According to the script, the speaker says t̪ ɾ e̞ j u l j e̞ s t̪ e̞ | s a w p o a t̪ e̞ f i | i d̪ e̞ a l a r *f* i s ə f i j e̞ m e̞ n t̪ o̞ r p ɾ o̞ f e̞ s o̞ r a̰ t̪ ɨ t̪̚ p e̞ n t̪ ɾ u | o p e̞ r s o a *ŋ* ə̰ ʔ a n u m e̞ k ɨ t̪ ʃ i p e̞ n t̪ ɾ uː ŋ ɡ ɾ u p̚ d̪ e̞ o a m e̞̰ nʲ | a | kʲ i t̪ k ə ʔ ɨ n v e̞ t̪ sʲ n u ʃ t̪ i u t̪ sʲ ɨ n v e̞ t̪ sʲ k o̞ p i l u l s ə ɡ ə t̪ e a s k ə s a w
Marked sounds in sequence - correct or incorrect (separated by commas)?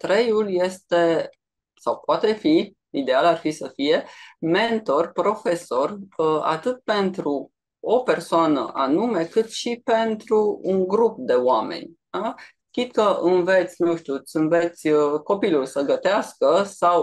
correct, incorrect